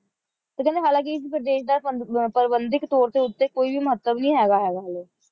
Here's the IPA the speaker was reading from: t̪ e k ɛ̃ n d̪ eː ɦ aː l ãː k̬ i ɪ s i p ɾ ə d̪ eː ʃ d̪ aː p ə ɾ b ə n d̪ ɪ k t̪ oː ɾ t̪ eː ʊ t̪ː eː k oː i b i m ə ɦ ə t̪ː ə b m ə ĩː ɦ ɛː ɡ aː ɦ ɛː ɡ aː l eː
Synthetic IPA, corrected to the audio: t̪ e k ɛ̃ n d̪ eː ɦ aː l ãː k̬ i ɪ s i p ɾ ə d̪ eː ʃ d̪ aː p ə ɾ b ə n d̪ ɪ k t̪ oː ɾ t̪ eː ʊ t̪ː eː k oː i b i m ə ɦ ə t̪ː ə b n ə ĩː ɦ ɛː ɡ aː ɦ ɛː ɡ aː l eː